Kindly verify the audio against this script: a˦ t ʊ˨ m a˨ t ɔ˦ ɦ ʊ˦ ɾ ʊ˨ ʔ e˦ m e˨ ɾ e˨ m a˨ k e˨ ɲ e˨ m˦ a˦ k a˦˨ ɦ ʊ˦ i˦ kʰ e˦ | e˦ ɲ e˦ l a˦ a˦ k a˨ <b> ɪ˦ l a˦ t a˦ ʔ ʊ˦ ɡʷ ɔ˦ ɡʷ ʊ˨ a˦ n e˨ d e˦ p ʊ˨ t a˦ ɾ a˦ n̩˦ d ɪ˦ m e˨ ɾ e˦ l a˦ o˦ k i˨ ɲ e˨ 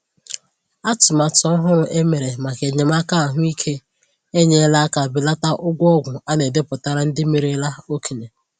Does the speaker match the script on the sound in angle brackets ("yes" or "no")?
yes